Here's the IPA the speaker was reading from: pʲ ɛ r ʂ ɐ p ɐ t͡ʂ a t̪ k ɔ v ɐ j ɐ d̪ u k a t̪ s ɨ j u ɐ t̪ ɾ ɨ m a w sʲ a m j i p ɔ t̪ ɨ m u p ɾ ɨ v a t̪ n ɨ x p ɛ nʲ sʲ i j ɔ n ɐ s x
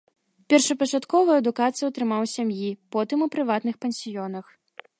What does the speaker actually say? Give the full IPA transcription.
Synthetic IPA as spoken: pʲ ɛ r ʂ ɐ p ɐ t͡ʂ a t̪ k ɔ v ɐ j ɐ d̪ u k a t̪ s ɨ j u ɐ t̪ ɾ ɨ m a w sʲ a m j i p ɔ t̪ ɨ m u p ɾ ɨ v a t̪ n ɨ x p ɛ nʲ sʲ i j ɔ n ɐ x